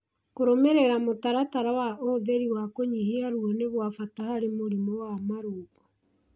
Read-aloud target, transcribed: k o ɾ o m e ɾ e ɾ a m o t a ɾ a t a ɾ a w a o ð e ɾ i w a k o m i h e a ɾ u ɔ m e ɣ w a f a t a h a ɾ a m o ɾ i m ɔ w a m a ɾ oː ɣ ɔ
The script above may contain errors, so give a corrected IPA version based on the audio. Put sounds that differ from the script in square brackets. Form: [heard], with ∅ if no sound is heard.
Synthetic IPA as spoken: k o ɾ o m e ɾ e ɾ a m o t a ɾ a t a ɾ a w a o ð e ɾ i w a k o [ɲ] i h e a ɾ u ɔ [n] e ɣ w a f a t a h a ɾ [e] m o ɾ i m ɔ w a m a ɾ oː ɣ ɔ